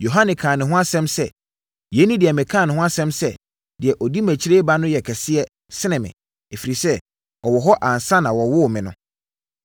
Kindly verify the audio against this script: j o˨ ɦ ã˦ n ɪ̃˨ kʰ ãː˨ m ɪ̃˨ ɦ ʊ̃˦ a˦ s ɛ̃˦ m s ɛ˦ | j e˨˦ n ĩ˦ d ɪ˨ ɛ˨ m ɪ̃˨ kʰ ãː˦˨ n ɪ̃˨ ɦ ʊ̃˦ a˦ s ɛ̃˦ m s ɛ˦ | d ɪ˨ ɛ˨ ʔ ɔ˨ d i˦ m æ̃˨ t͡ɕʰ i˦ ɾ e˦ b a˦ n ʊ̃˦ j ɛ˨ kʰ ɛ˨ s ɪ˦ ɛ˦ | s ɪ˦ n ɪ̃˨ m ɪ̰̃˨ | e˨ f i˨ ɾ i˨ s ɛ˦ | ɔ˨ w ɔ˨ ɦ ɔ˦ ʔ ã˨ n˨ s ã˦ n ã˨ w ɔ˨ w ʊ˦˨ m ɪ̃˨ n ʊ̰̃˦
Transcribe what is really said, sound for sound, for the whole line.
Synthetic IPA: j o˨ ɦ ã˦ n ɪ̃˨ kʰ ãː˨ n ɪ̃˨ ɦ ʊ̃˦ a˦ s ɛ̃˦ m s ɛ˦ | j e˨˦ n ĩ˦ d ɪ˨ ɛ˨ m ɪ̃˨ kʰ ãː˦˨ n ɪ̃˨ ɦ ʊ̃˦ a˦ s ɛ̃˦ m s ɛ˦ | d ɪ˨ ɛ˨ ʔ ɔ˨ d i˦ m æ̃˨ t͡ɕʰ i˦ ɾ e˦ b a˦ n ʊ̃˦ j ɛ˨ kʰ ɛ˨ s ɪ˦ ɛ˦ | s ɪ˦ n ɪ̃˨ m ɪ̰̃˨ | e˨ f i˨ ɾ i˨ s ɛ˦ | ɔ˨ w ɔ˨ ɦ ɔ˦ ʔ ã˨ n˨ s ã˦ n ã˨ w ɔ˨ w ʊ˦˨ m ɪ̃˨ n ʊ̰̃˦